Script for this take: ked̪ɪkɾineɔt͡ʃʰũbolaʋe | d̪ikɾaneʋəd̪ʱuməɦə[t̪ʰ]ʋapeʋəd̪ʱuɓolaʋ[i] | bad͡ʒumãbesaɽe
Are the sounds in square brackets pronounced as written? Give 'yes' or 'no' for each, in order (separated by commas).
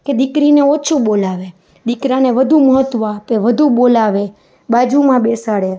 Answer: no, no